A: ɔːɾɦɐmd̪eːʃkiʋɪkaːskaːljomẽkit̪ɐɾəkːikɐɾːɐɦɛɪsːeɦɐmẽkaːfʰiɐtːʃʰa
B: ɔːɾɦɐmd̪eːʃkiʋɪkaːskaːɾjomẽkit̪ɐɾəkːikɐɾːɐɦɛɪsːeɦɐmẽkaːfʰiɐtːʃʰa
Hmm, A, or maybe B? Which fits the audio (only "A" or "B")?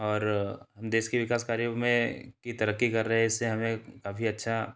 B